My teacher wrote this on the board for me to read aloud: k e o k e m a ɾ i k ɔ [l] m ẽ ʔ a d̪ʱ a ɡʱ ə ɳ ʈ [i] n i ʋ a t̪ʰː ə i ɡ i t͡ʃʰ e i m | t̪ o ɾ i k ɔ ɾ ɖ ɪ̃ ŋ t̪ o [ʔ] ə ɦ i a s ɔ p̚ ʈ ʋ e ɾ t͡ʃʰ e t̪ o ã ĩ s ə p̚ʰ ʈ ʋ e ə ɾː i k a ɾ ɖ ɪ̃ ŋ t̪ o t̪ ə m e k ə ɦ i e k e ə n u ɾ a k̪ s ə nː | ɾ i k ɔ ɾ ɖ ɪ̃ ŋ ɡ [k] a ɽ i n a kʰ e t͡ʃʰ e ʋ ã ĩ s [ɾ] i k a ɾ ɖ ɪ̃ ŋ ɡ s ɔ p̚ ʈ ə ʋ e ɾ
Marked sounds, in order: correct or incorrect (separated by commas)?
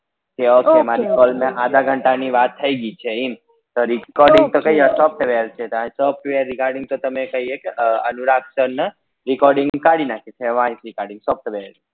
correct, incorrect, incorrect, correct, correct